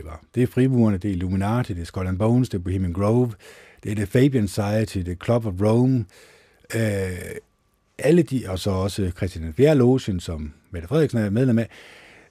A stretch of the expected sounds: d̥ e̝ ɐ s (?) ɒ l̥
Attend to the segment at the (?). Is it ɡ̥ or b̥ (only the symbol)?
ɡ̥